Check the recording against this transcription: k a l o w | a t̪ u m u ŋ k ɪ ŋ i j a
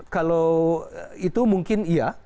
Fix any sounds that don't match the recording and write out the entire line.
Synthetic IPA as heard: k a l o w | i t̪ u m u ŋ k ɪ n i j a